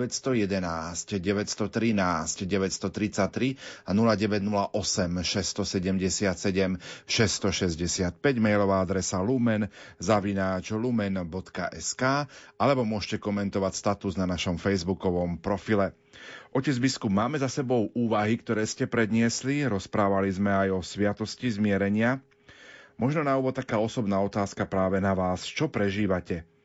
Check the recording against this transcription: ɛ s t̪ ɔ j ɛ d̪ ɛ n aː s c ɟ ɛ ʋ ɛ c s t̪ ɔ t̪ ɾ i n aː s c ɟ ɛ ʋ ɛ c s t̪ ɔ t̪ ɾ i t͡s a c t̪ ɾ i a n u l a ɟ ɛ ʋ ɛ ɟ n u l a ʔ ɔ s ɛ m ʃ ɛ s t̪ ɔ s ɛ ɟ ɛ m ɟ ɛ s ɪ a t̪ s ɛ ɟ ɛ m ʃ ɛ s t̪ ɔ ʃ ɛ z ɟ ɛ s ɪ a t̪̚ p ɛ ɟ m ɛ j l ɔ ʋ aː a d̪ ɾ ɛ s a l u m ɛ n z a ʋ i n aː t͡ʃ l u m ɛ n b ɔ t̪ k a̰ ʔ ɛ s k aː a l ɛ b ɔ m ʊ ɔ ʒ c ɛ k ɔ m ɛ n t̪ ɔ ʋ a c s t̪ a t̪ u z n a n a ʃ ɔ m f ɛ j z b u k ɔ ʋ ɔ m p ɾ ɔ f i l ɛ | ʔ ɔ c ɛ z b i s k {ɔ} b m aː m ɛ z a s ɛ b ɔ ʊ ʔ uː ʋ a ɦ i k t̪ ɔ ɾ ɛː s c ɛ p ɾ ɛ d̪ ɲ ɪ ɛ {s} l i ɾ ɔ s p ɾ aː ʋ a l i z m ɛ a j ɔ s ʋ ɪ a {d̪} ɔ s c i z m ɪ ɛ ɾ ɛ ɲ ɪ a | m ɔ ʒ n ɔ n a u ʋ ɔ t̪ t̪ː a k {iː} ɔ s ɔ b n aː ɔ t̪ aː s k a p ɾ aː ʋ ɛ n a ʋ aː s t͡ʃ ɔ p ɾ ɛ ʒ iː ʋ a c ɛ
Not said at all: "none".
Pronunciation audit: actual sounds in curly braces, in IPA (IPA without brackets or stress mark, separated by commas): u, s, t̪, aː